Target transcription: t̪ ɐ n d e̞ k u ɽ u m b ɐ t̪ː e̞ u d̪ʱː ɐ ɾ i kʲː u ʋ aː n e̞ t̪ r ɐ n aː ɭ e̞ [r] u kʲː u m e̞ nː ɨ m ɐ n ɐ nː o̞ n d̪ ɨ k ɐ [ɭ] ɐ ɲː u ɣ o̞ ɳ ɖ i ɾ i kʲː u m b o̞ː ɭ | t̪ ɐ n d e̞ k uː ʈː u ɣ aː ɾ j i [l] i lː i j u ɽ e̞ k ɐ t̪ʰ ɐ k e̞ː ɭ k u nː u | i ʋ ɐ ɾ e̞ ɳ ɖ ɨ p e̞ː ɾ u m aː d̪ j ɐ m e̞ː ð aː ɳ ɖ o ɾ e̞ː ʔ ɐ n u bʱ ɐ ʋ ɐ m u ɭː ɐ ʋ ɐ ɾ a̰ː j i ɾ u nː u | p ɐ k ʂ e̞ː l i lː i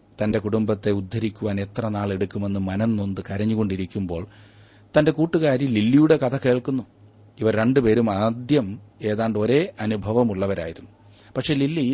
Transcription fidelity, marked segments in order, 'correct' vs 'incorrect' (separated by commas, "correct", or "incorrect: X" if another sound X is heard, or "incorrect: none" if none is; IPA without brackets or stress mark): incorrect: ɽ, incorrect: ɾ, correct